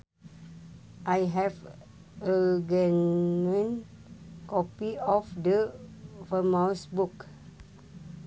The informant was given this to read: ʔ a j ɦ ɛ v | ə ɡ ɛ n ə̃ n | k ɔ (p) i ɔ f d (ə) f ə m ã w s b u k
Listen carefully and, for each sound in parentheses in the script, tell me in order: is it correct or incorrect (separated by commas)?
correct, correct